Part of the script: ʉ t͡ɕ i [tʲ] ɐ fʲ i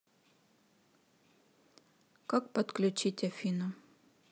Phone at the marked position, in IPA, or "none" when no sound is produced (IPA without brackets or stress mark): tʲ